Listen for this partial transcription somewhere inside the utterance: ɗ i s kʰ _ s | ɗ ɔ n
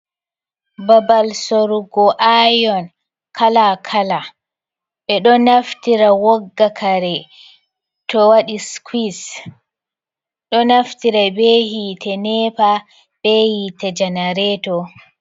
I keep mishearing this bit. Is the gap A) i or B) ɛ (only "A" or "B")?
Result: A